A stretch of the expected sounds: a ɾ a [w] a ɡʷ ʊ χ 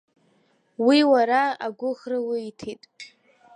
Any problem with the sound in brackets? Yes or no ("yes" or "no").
yes